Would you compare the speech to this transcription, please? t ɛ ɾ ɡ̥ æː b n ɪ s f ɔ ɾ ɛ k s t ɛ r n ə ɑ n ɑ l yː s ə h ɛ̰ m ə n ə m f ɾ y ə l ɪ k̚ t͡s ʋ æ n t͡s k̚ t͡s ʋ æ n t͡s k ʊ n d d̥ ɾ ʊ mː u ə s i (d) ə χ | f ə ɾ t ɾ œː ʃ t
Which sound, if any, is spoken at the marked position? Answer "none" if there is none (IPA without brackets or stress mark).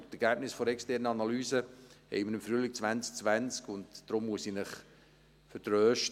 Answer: n